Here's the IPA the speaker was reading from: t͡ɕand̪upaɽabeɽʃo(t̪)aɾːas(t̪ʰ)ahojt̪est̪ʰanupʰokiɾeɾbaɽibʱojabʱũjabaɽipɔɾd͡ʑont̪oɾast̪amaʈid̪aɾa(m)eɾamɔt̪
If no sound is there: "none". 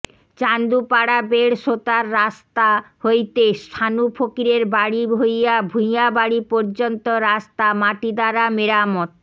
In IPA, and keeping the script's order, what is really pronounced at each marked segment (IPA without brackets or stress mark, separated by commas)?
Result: t̪, t̪, m